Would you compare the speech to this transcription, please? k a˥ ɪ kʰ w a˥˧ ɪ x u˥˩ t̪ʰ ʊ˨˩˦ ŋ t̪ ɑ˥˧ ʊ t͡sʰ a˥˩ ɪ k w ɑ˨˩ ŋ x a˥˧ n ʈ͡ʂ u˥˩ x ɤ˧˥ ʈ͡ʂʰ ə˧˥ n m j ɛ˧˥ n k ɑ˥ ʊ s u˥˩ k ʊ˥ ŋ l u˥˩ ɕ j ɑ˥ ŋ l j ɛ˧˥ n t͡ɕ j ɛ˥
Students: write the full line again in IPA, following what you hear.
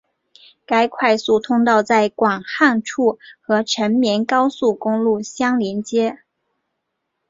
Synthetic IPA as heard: k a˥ ɪ kʰ w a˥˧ ɪ s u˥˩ t̪ʰ ʊ˥ ŋ t̪ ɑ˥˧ ʊ t͡s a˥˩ ɪ k w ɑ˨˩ ŋ x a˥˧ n ʈ͡ʂʰ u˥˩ x ɤ˧˥ ʈ͡ʂʰ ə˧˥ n m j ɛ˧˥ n k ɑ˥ ʊ s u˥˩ k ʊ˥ ŋ l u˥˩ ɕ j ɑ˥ ŋ l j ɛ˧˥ n t͡ɕ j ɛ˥